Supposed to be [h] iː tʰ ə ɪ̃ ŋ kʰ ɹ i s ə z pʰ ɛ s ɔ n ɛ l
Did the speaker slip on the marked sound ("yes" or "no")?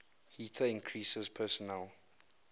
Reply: no